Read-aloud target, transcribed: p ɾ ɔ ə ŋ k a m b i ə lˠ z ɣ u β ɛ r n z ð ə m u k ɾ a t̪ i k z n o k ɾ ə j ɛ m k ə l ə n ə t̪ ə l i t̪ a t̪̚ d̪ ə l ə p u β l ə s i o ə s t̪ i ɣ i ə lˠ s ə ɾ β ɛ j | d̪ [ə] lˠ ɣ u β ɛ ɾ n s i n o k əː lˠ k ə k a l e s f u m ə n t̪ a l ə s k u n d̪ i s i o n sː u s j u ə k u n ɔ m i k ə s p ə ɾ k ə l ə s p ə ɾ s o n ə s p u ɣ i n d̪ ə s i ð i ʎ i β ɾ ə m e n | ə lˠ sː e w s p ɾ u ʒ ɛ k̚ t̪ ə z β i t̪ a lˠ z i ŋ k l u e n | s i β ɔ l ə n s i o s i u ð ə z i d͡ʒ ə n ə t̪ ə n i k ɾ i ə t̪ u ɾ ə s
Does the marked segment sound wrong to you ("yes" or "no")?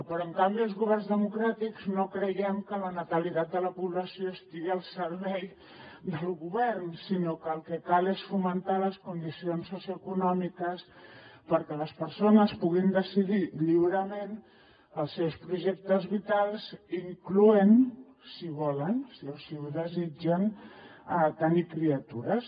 no